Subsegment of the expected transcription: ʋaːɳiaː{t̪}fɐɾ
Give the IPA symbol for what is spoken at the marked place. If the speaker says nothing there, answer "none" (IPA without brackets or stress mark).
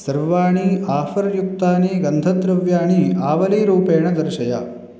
none